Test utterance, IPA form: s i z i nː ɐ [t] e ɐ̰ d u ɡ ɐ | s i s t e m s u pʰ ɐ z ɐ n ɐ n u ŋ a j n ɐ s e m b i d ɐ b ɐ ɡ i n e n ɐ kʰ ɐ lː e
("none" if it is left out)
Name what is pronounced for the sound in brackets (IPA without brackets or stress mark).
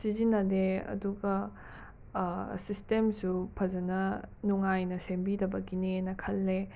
d